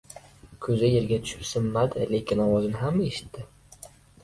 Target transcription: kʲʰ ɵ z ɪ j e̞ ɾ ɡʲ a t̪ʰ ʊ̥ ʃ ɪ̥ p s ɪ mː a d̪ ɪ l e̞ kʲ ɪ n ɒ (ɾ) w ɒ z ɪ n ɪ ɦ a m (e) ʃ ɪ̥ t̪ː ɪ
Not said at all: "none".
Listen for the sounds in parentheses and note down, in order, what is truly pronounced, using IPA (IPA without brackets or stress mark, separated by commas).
none, e